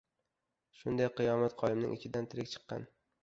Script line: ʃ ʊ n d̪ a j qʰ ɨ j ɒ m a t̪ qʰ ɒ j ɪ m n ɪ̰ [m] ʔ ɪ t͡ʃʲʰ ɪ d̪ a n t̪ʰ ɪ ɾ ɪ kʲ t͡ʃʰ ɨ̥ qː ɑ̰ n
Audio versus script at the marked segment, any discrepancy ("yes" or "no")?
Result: yes